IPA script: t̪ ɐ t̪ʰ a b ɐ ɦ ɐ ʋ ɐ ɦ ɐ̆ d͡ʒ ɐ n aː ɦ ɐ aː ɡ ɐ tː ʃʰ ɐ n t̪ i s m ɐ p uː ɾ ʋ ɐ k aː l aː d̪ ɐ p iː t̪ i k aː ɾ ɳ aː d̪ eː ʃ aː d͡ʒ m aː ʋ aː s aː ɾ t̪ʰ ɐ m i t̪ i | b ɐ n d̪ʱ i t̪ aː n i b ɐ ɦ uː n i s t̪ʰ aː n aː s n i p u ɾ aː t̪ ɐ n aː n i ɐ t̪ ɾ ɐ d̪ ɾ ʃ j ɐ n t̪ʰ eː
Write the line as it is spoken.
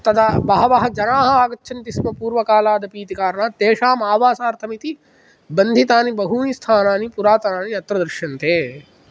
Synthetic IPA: t̪ ɐ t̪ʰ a b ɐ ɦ ɐ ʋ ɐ ɦ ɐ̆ d͡ʒ ɐ n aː ɦ ɐ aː ɡ ɐ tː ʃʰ ɐ n t̪ i s m ɐ p uː ɾ ʋ ɐ k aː l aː d̪ ɐ p iː t̪ i k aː ɾ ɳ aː t̪ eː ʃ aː m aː ʋ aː s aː ɾ t̪ʰ ɐ m i t̪ i | b ɐ n d̪ʱ i t̪ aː n i b ɐ ɦ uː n i s t̪ʰ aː n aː n i p u ɾ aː t̪ ɐ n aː n i ɐ t̪ ɾ ɐ d̪ ɾ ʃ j ɐ n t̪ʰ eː